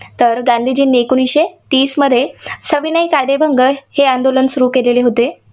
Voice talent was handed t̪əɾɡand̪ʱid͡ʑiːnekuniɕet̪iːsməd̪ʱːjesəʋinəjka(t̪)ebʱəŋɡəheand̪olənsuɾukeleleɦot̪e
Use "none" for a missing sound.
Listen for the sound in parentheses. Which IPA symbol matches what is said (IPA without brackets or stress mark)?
d̪